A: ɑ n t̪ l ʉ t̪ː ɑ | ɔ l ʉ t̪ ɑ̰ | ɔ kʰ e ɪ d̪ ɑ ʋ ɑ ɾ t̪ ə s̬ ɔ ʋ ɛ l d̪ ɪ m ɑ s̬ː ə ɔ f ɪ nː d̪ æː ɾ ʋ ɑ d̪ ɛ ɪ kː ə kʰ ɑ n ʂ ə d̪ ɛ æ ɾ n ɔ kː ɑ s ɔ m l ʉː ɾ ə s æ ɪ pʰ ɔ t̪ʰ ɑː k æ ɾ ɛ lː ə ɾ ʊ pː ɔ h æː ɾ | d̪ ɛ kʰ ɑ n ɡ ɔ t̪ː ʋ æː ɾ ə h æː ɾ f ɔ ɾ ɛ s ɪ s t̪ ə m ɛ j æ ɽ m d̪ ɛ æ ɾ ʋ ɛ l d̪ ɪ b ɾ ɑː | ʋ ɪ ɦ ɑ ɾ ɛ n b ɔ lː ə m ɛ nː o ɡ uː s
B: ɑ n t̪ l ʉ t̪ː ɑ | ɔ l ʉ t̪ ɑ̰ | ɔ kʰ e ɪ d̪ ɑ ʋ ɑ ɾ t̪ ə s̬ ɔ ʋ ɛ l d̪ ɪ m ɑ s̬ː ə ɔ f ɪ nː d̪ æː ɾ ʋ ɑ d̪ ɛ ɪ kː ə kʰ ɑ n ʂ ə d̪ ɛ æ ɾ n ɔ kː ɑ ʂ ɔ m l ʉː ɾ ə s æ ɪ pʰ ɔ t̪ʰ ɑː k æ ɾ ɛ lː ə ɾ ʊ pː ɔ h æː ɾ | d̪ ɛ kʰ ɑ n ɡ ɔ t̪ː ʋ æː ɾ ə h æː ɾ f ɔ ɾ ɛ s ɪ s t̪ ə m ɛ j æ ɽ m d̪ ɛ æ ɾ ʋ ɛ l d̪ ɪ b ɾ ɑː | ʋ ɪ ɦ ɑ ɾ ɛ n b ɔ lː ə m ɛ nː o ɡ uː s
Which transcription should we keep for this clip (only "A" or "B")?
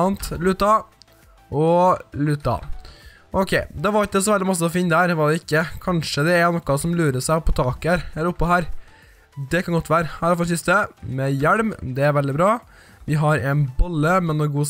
A